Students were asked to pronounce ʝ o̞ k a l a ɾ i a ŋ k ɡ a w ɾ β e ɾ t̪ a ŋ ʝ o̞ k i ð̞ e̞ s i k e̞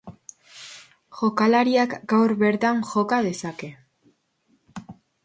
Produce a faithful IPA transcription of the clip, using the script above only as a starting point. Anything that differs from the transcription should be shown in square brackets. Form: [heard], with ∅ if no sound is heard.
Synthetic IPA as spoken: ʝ o̞ k a l a ɾ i a [∅] k ɡ a w ɾ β e ɾ t̪ a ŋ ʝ o̞ k [a] ð̞ e̞ s [a] k e̞

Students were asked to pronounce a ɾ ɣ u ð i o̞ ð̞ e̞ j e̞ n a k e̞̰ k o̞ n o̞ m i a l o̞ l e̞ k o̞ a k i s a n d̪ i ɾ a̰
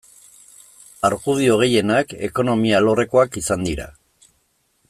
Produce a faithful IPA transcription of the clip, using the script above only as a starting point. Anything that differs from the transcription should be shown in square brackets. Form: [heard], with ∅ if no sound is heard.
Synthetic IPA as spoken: a ɾ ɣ u ð i o̞ [ɣ̞] e̞ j e̞ n a k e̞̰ k o̞ n o̞ m i a l o̞ [r] e̞ k o̞ a k i s a n d̪ i ɾ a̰

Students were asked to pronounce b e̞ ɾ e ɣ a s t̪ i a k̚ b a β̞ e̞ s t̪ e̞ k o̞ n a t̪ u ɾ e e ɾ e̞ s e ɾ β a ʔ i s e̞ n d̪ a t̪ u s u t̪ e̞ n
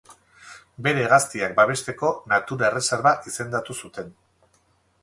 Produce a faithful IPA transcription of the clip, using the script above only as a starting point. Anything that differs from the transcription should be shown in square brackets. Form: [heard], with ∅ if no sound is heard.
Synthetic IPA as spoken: b e̞ ɾ e ɣ a s t̪ i a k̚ b a β̞ e̞ s t̪ e̞ k o̞ n a t̪ u ɾ [a] e [r] e̞ s e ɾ β a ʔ i s e̞ n d̪ a t̪ u s u t̪ e̞ n

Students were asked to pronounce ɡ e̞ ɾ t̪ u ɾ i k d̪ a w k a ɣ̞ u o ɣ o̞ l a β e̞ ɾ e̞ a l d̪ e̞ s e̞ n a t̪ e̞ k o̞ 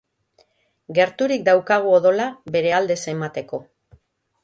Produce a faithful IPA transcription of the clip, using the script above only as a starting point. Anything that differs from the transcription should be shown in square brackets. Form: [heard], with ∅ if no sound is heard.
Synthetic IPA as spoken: ɡ e̞ ɾ t̪ u ɾ i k d̪ a w k a ɣ̞ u o [ð] o̞ l a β e̞ ɾ e̞ a l d̪ e̞ s e̞ [m] a t̪ e̞ k o̞

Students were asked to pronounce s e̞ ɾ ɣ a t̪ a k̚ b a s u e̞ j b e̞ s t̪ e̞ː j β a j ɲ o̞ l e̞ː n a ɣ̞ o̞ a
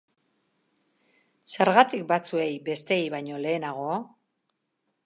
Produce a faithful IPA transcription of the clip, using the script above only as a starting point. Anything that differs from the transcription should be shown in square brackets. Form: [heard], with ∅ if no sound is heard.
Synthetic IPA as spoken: s e̞ ɾ ɣ a t̪ [i] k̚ b a [t͡s] u e̞ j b e̞ s t̪ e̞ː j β a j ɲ o̞ l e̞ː n a ɣ̞ o̞ a

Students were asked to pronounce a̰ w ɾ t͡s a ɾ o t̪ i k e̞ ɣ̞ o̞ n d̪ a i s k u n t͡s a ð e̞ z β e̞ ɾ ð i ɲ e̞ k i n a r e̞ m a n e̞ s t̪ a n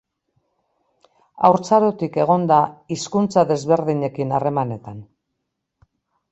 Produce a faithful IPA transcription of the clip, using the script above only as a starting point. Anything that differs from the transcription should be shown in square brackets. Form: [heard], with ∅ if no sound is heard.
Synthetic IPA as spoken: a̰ w ɾ t͡s a ɾ o t̪ i k e̞ ɣ̞ o̞ n d̪ a i s k u n t͡s a ð e̞ z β e̞ ɾ ð i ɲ e̞ k i n a r e̞ m a n e̞ [∅] t̪ a n

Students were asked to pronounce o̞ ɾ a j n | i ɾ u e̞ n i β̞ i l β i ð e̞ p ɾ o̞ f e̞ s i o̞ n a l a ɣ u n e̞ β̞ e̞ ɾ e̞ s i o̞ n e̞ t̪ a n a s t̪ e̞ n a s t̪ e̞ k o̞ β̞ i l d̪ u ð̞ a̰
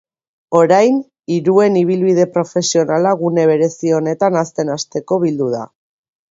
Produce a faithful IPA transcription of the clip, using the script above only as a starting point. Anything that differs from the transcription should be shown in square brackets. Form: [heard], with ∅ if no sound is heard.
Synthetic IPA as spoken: o̞ ɾ a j n | i ɾ u e̞ n i β̞ i l β i ð e̞ p ɾ o̞ f e̞ s i o̞ n a l a ɣ u n e̞ β̞ e̞ ɾ e̞ s i o̞ n e̞ t̪ a n a s t̪ e̞ n a s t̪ e̞ k o̞ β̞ i l d̪ u ð̞ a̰

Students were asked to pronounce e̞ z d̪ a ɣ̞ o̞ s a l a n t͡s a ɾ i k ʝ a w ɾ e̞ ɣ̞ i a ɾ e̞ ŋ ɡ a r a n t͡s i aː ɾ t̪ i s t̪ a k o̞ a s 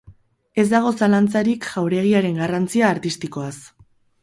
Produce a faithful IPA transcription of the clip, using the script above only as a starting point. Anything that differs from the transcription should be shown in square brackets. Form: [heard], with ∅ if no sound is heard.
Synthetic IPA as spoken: e̞ z d̪ a ɣ̞ o̞ s a l a n t͡s a ɾ i k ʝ a w ɾ e̞ ɣ̞ i a ɾ e̞ ŋ ɡ a r a n t͡s i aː ɾ t̪ i s t̪ [i] k o̞ a s

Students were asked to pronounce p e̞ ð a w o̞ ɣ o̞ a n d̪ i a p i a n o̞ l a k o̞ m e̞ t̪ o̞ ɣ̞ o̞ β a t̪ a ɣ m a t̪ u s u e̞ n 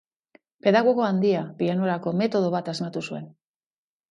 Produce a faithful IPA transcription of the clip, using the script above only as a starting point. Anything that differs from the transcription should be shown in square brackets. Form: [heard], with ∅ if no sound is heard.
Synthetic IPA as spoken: p e̞ ð a [ɣ] o̞ ɣ o̞ a n d̪ i a p i a n o̞ [ɾ] a k o̞ m e̞ t̪ o̞ [ð̞] o̞ β a t̪ a [z] m a t̪ u s u e̞ n

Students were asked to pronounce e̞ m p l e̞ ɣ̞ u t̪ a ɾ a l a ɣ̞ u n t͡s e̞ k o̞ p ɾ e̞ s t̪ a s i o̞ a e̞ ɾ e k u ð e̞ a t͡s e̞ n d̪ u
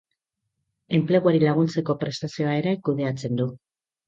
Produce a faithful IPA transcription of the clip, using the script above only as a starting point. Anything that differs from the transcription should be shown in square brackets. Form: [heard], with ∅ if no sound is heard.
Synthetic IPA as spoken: e̞ m p l e̞ ɣ̞ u [∅] a ɾ [i] l a ɣ̞ u n t͡s e̞ k o̞ p ɾ e̞ s t̪ a s i o̞ a e̞ ɾ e k u ð e̞ a t͡s e̞ n d̪ u

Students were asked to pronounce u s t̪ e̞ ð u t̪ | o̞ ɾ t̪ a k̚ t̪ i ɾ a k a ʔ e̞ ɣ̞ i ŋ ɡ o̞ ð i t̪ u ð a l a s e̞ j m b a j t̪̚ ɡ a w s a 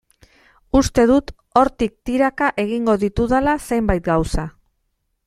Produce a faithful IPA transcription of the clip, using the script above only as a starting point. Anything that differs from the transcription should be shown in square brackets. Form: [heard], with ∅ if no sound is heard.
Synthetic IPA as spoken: u s t̪ e̞ ð u t̪ | o̞ ɾ t̪ [i] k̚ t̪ i ɾ a k a ʔ e̞ ɣ̞ i ŋ ɡ o̞ ð i t̪ u ð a l a s e̞ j m b a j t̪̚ ɡ a w s a

